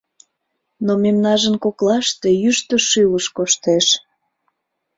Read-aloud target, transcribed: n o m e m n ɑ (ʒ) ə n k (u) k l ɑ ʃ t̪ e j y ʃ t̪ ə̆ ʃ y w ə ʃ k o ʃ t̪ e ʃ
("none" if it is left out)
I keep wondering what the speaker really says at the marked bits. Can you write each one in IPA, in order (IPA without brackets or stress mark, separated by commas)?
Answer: ʒ, o